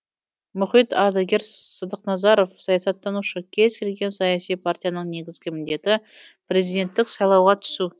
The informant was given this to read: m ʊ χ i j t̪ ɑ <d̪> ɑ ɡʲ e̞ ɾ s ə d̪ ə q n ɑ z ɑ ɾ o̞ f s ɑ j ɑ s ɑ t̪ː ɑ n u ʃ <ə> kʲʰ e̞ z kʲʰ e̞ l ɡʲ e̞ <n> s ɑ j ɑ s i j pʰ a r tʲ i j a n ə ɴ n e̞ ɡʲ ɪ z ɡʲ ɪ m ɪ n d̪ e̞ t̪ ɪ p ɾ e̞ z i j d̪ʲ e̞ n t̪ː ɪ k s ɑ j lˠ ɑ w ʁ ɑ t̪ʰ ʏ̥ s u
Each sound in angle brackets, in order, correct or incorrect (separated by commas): correct, correct, correct